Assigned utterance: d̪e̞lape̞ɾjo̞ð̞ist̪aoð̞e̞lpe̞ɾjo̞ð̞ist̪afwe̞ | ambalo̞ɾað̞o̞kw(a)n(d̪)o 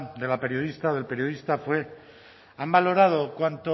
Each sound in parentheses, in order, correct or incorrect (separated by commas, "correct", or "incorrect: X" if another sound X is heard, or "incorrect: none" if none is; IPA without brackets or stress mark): correct, incorrect: t̪